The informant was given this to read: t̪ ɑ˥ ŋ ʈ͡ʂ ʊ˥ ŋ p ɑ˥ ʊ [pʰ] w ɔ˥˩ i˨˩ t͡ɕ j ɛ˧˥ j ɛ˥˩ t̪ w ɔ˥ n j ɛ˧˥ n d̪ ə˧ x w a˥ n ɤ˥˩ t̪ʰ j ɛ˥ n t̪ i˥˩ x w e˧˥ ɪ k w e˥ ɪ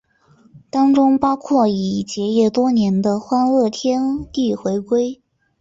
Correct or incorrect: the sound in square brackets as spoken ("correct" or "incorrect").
incorrect